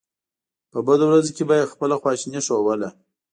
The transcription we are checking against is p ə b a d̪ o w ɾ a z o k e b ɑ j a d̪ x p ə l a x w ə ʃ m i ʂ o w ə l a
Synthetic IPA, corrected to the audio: p ə b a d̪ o w ɾ a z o k e b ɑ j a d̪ x p ə l a x w ɑ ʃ n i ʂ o w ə l a